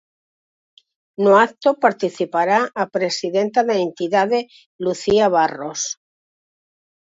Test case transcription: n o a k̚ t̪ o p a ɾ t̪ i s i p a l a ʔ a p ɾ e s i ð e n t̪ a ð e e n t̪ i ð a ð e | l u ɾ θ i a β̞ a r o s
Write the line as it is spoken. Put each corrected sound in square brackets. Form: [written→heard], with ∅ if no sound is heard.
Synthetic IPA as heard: n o a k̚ t̪ o p a ɾ t̪ i [s→θ] i p a [l→ɾ] a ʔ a p ɾ e s i ð e n t̪ a ð e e n t̪ i ð a ð e | l u [ɾ→∅] θ i a β̞ a r o s